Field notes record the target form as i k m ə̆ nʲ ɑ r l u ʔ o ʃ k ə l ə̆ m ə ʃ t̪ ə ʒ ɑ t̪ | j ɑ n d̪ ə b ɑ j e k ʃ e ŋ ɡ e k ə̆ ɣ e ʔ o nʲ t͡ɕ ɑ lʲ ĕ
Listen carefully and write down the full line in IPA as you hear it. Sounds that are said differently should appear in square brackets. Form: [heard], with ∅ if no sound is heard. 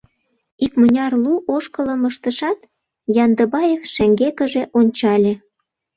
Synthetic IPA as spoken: i k m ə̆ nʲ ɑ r l u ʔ o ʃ k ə l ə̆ m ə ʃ t̪ ə [ʃ] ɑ t̪ | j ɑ n d̪ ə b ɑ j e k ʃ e ŋ ɡ e k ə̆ [ʒ] e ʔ o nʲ t͡ɕ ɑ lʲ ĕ